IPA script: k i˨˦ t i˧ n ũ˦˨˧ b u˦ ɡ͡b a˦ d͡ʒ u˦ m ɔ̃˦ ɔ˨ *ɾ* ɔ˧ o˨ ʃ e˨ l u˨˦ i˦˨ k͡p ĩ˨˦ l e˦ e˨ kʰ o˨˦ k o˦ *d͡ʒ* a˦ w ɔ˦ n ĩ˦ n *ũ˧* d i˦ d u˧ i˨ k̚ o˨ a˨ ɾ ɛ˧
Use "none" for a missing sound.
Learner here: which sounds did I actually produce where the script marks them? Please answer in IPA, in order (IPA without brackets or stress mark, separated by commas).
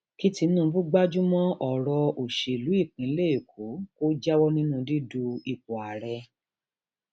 ɾ, d͡ʒ, ũ˧